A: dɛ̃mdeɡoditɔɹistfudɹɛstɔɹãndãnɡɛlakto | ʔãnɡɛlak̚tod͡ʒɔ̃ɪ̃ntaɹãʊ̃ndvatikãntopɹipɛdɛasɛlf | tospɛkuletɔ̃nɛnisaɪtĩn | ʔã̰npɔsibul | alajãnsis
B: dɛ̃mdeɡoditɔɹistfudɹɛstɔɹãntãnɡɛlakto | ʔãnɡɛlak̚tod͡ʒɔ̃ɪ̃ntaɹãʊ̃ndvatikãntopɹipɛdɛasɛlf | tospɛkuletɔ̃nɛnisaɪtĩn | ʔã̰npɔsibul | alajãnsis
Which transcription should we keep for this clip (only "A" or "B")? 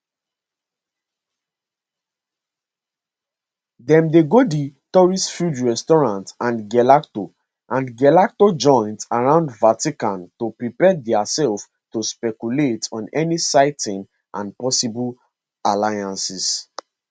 B